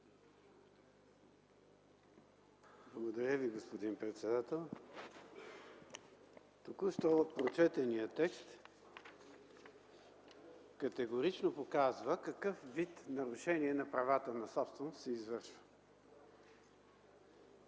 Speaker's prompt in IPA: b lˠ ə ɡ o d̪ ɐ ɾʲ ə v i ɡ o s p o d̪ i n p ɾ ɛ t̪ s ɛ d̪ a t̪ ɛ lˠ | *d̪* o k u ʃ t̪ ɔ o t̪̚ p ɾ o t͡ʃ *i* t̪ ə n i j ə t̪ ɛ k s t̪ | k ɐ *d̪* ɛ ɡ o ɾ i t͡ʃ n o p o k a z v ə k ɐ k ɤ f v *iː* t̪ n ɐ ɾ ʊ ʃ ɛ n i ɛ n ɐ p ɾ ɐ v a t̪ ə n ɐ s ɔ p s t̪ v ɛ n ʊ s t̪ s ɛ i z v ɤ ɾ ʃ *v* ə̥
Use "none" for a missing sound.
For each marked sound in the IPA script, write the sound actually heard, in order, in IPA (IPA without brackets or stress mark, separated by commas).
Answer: t̪, ɛ, t̪, i, v